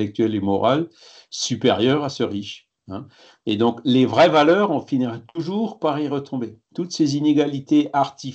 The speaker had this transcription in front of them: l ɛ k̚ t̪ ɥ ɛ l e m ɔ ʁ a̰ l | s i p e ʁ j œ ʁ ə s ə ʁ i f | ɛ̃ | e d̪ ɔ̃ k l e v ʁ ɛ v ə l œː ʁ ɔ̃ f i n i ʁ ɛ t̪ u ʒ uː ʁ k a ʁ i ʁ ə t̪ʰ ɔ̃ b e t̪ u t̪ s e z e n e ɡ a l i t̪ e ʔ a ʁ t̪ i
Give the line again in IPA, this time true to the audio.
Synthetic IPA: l ɛ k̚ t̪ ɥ ɛ l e m ɔ ʁ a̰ l | s y p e ʁ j œ ʁ a s ə ʁ i ʃ | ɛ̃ | e d̪ ɔ̃ k l e v ʁ ɛ v a l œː ʁ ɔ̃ f i n i ʁ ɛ t̪ u ʒ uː ʁ p a ʁ i ʁ ə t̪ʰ ɔ̃ b e t̪ u t̪ s e z i n e ɡ a l i t̪ e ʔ a ʁ t̪ i